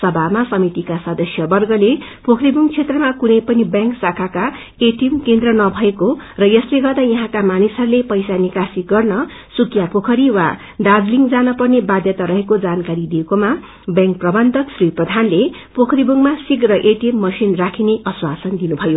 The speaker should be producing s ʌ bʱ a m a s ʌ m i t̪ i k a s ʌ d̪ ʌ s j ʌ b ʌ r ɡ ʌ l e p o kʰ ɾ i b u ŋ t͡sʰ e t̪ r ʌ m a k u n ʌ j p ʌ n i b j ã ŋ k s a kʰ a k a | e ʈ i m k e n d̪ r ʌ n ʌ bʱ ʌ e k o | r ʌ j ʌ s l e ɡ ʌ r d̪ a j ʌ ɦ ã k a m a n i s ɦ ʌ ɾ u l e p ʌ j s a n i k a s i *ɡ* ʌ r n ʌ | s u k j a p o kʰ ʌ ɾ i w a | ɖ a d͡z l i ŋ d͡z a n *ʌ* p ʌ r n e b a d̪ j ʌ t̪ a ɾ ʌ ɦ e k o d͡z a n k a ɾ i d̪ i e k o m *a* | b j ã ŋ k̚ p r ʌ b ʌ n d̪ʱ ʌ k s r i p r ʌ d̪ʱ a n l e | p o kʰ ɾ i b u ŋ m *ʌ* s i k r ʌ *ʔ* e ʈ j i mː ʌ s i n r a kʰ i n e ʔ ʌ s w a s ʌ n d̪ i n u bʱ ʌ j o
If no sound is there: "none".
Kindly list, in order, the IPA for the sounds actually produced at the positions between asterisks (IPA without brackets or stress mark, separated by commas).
ɡ, ʌ, a, a, ʔ